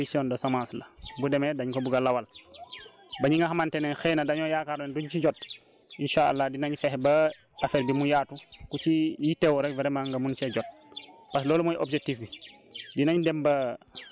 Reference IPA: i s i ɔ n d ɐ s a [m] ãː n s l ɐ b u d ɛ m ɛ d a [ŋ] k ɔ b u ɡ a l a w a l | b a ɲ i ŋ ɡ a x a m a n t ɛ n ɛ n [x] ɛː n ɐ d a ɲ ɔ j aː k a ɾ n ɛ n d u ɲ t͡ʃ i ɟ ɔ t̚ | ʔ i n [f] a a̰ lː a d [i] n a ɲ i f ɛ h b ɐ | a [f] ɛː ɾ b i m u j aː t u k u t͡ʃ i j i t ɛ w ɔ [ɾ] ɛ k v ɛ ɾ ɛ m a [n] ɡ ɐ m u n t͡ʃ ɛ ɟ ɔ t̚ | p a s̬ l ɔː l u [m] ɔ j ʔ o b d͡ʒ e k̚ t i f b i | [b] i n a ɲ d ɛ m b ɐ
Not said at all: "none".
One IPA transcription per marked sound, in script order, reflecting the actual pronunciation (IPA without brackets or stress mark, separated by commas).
m, ɲ, x, ʃ, i, f, ɾ, ŋ, m, d